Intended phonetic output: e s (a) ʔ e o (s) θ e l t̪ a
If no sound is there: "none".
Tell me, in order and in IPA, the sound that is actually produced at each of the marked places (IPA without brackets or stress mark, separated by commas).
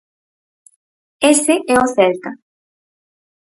e, none